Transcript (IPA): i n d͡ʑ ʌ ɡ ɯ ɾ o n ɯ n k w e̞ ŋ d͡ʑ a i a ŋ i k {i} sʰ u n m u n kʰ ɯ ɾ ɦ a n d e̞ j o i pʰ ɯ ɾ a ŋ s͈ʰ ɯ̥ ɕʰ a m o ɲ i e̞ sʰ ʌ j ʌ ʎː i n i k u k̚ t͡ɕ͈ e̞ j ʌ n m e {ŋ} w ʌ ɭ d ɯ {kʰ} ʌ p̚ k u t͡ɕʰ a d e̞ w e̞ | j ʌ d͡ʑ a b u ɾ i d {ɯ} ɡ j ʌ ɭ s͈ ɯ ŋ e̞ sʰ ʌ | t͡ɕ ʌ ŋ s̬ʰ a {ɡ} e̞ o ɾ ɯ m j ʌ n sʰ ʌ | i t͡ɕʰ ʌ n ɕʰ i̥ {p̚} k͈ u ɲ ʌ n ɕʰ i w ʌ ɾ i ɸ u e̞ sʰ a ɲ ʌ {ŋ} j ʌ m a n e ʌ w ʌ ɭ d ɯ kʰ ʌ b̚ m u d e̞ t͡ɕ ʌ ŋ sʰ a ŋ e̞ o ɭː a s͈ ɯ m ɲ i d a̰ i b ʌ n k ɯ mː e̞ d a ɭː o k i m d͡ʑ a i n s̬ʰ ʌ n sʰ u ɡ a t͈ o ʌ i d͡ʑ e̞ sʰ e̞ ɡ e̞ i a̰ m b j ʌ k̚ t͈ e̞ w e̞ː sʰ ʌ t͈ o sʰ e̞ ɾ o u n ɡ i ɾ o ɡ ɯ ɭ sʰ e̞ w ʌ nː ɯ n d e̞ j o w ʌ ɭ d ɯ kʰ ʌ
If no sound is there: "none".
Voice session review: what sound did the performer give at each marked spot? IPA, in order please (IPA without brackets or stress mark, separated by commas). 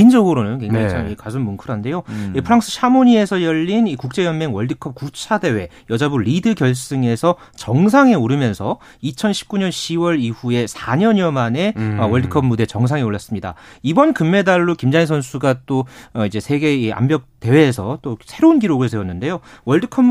a, ŋ, kʰ, ɯ, ŋ, p̚, ɲ